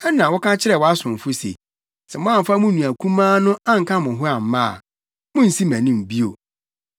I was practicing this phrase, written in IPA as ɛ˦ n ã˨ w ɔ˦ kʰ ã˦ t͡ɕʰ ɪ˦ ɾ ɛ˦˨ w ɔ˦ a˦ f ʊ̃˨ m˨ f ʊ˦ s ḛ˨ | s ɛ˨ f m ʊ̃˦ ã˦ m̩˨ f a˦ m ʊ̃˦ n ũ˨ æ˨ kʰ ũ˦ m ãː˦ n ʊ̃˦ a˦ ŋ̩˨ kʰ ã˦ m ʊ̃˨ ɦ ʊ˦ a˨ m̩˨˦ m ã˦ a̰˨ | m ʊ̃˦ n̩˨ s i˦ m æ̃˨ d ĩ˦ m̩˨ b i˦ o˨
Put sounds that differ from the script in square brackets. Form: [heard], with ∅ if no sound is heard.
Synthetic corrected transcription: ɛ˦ n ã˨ w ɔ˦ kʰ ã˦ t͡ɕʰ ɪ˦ ɾ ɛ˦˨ w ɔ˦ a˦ [s] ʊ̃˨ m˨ f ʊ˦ s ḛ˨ | s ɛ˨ [∅] m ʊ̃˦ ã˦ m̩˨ f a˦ m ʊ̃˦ n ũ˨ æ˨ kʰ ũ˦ m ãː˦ n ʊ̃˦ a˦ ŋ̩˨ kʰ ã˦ m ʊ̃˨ ɦ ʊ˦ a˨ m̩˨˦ m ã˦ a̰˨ | m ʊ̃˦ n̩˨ s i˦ m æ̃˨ [n] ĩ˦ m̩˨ b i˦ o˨